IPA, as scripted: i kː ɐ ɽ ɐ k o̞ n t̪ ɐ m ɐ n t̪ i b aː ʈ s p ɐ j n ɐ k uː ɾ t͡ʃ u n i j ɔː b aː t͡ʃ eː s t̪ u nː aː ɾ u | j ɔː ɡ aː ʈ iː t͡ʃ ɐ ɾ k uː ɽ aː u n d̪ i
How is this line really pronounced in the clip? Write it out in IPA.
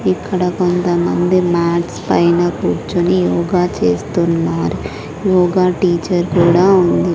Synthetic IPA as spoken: i kː ɐ ɽ ɐ k o̞ n t̪ ɐ m ɐ n d̪ i m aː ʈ s p ɐ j n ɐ k uː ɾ t͡ʃ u n i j ɔː ɡ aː t͡ʃ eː s t̪ u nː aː ɾ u | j ɔː ɡ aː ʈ iː t͡ʃ ɐ ɾ k uː ɽ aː u n d̪ i